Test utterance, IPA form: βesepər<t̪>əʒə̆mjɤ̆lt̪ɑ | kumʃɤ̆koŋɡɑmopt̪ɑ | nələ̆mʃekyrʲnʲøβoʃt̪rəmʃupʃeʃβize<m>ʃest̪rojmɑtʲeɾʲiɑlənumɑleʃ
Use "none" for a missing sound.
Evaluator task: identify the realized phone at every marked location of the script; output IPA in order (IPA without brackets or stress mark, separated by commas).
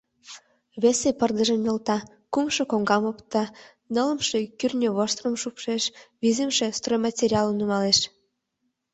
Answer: d̪, m